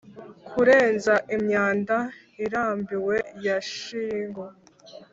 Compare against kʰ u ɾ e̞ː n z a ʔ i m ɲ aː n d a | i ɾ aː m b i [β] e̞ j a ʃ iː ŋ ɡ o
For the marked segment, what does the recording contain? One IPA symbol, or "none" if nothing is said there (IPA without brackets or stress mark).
w